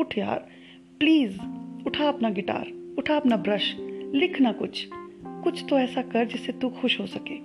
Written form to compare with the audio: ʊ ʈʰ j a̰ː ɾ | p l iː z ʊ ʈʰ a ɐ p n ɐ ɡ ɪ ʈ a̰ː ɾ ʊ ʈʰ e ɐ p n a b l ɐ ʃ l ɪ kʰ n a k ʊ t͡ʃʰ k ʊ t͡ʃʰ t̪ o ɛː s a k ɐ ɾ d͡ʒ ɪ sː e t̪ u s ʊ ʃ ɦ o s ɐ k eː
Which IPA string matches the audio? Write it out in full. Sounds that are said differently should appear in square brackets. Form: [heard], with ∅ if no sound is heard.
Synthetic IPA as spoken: ʊ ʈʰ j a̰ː ɾ | p l iː z ʊ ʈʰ a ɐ p n [a] ɡ ɪ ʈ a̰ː ɾ ʊ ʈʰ [a] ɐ p n a b [ɾ] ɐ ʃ l ɪ kʰ n a k ʊ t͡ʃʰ k ʊ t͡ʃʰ t̪ o ɛː s a k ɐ ɾ d͡ʒ ɪ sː e t̪ u [x] ʊ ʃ ɦ o s ɐ k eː